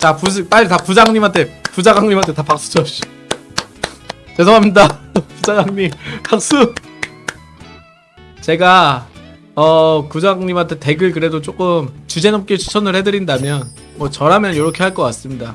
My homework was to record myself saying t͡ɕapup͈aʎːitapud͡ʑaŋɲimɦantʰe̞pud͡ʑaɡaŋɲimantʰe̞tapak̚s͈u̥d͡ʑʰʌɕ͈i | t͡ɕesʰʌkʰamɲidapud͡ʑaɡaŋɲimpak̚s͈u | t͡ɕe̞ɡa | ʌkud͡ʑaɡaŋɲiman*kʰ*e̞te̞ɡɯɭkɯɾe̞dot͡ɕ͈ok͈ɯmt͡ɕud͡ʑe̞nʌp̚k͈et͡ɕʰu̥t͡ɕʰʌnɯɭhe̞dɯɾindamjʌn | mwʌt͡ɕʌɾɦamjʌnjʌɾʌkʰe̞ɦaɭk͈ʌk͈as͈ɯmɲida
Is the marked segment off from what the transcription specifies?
yes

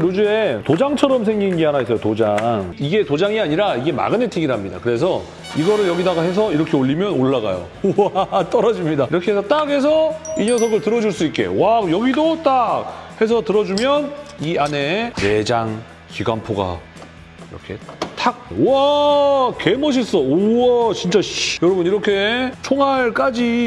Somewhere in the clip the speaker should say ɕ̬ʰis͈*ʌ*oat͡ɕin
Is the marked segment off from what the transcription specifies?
no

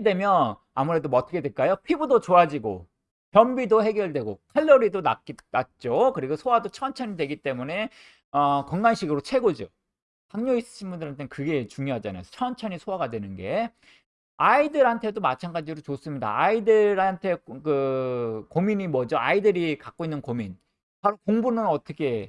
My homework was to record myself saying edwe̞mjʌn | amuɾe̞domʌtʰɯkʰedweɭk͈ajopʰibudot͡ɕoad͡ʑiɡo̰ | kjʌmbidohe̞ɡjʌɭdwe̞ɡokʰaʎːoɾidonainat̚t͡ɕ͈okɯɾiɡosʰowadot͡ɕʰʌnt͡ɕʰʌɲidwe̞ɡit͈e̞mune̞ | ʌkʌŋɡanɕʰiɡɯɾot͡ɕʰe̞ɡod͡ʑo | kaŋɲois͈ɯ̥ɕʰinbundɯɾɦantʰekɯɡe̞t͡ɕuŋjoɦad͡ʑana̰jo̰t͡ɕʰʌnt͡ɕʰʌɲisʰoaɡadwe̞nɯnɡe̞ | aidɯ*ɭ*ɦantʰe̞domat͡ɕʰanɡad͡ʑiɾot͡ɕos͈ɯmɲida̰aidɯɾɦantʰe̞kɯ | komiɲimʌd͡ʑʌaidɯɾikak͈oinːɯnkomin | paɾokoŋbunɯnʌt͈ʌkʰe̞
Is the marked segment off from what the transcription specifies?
yes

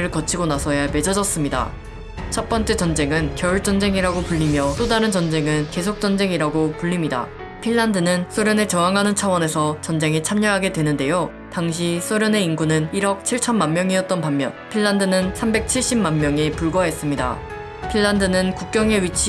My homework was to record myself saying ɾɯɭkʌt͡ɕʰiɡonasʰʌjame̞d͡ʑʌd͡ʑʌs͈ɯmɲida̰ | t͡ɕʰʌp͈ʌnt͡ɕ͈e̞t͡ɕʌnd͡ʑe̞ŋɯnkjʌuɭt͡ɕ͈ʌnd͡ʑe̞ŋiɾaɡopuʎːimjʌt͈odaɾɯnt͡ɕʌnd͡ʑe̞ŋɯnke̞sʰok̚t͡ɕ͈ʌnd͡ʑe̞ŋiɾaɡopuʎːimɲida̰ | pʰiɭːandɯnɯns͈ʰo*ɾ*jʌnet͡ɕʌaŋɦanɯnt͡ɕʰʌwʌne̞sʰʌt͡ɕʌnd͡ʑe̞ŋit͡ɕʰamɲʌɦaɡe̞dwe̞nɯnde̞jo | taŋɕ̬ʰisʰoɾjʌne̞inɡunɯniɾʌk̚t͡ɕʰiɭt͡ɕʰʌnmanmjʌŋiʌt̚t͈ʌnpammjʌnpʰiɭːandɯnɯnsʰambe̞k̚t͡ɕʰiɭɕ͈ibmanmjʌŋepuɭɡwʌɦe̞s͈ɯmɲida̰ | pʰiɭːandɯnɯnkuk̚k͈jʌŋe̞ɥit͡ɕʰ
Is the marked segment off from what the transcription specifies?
no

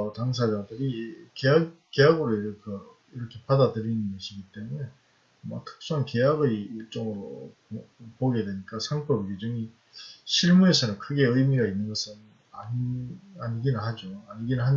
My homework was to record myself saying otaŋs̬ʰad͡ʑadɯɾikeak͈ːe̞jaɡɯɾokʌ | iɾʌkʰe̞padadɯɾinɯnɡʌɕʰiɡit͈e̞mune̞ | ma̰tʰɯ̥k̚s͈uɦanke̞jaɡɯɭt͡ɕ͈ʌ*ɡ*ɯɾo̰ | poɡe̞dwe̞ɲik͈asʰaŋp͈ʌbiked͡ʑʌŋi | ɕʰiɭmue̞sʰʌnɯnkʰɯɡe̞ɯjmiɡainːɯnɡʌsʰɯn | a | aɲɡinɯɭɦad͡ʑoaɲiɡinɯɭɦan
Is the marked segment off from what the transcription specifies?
yes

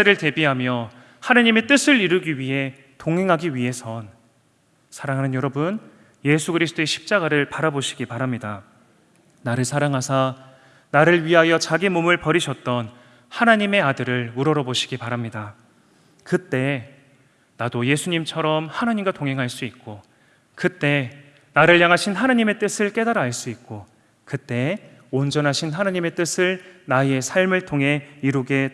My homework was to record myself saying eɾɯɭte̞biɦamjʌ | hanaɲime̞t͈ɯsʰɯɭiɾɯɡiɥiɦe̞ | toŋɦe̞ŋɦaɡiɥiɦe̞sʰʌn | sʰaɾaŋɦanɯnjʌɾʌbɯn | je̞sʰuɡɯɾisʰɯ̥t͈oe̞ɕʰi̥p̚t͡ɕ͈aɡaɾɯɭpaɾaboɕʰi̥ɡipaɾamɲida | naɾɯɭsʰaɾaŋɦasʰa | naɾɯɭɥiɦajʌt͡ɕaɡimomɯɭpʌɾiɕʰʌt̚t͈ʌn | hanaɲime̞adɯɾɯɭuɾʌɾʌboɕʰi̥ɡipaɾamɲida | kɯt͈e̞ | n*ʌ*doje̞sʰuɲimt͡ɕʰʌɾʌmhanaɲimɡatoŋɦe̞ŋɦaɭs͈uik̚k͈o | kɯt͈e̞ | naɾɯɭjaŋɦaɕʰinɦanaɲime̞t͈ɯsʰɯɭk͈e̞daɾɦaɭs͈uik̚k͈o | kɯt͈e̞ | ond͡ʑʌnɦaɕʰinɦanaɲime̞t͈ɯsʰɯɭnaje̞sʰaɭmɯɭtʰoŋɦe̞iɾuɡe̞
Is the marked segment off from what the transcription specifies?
yes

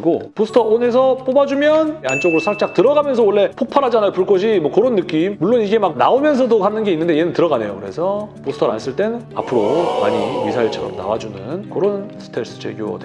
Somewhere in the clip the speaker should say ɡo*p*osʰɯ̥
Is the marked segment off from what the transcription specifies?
no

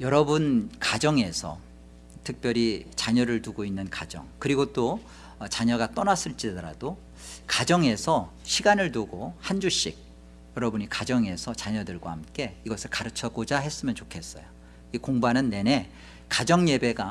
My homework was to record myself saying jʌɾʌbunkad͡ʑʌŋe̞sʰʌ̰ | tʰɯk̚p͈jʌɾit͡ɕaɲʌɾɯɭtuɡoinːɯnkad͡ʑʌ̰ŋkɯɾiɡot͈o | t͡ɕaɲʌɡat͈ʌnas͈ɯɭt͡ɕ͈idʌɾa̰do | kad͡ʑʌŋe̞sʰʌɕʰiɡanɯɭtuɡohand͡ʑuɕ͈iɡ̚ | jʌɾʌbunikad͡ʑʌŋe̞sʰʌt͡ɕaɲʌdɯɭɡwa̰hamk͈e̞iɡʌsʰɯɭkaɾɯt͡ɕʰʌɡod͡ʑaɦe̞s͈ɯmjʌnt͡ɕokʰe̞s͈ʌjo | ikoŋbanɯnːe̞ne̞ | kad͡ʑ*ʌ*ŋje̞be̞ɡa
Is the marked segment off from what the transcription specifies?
no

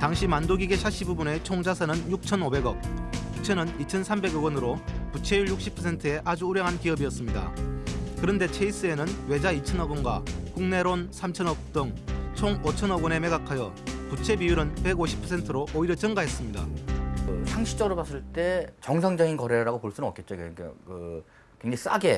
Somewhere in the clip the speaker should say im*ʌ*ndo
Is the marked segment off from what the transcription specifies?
yes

